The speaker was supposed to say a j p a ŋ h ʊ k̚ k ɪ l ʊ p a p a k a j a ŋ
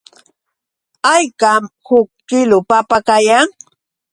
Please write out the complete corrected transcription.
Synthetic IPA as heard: a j k a m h ʊ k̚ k ɪ l ʊ p a p a k a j a ŋ